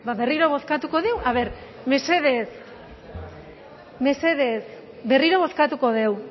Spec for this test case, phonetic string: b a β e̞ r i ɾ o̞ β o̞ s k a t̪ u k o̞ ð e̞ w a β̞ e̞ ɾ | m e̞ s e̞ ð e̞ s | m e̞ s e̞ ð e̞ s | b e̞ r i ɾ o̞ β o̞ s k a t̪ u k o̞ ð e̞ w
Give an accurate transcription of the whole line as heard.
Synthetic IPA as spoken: b a β e̞ r i ɾ o̞ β o̞ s k a t̪ u k o̞ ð e̞ w a β̞ e̞ ɾ | m e̞ s e̞ ð e̞ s | m e̞ s e̞ ð e̞ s | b e̞ r i ɾ o̞ β o̞ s k a t̪ u k o̞ ð e̞ w